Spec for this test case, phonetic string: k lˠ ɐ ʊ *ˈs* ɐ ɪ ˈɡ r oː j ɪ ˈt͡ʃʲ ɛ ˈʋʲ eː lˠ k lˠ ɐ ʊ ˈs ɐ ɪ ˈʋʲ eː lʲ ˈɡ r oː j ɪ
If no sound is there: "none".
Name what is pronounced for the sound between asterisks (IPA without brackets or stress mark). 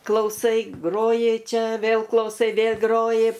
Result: s